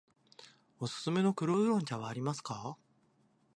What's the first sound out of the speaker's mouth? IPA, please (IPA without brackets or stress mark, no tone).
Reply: o̞